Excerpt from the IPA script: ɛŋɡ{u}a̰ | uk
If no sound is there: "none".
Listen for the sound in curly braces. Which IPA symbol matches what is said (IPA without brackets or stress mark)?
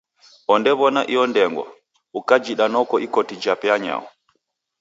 w